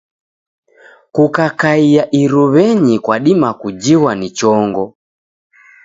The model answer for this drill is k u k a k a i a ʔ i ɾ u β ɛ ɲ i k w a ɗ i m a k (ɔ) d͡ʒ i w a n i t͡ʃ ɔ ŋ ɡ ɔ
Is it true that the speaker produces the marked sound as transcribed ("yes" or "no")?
no